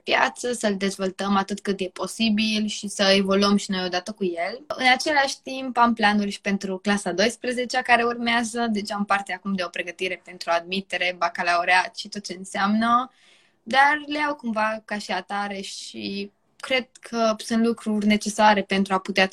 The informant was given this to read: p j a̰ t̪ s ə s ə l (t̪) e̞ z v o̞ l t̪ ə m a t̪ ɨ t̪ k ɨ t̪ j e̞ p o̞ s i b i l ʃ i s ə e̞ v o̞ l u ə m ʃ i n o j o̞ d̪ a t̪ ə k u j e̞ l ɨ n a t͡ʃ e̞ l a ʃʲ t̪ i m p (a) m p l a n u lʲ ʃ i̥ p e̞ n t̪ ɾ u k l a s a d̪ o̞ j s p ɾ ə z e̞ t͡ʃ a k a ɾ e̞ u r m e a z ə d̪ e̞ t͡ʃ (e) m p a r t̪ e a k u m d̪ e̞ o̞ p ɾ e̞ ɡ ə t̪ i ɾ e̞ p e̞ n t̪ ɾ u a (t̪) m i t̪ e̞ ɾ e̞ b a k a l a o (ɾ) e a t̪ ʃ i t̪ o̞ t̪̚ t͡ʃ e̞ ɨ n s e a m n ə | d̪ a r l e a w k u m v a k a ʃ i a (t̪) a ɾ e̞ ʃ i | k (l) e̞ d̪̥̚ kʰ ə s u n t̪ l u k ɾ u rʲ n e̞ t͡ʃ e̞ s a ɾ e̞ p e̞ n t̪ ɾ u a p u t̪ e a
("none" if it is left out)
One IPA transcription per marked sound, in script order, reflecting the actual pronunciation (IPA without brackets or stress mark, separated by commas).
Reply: d̪, a, a, d̪, ɾ, t̪, ɾ